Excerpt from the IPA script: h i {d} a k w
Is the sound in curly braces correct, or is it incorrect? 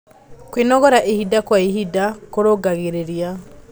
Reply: correct